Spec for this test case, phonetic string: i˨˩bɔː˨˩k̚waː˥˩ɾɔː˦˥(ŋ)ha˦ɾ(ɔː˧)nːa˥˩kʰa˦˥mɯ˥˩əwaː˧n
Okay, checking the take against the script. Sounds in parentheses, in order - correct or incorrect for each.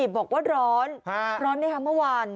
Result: incorrect, incorrect

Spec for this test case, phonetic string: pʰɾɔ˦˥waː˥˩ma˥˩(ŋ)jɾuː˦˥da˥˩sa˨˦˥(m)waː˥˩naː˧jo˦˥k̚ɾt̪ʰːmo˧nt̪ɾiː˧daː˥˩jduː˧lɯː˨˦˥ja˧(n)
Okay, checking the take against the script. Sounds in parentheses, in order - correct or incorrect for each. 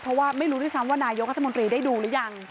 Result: incorrect, correct, incorrect

